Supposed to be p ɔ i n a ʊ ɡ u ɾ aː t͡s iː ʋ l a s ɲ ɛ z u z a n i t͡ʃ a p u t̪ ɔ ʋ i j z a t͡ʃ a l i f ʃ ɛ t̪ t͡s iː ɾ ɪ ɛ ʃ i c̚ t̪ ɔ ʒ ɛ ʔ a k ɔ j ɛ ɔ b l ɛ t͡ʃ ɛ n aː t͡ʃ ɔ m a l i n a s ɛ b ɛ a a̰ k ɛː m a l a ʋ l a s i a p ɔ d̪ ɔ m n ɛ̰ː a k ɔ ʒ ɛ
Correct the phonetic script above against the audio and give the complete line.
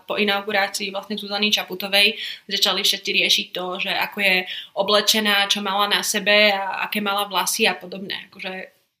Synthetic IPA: p ɔ i n a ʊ ɡ u ɾ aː t͡s iː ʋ l a s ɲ ɛ z u z a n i t͡ʃ a p u t̪ ɔ ʋ ɛ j z a t͡ʃ a l i f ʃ ɛ t̪ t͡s i ɾ ɪ ɛ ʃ i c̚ t̪ ɔ ʒ ɛ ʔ a k ɔ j ɛ ɔ b l ɛ t͡ʃ ɛ n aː t͡ʃ ɔ m a l a n a s ɛ b ɛ a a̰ k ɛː m a l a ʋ l a s i a p ɔ d̪ ɔ b n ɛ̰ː a k ɔ ʒ ɛ